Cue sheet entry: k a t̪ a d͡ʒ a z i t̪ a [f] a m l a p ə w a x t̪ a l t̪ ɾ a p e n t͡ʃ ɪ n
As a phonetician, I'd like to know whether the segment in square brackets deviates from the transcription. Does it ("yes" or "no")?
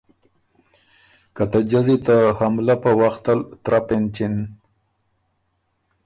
yes